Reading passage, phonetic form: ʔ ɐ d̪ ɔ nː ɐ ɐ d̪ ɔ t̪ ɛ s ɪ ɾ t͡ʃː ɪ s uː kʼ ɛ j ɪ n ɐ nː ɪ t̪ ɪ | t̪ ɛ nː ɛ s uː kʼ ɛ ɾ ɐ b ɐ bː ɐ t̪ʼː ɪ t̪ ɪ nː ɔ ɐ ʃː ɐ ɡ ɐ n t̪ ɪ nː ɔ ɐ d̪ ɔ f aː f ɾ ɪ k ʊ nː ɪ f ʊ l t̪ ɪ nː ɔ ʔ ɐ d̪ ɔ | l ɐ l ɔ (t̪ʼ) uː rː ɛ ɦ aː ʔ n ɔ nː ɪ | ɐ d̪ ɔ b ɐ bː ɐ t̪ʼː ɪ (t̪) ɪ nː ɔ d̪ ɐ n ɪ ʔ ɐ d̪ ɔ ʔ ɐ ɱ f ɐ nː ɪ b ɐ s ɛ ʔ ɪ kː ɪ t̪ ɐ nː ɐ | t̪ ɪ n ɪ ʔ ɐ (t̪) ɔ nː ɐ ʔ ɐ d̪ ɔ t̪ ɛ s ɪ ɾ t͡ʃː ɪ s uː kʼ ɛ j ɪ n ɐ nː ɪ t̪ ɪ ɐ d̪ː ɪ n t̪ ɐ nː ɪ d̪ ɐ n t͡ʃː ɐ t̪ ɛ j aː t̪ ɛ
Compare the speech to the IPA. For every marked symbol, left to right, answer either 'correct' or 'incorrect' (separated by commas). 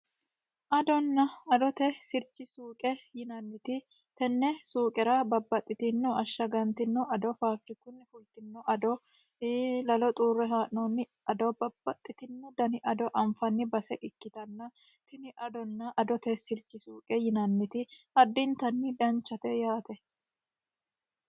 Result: correct, correct, incorrect